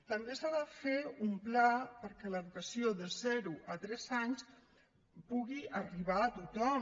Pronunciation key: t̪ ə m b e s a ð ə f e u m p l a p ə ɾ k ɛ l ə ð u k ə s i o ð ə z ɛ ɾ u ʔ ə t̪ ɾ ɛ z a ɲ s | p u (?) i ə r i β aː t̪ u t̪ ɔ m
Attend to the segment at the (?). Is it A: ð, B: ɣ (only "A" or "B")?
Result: B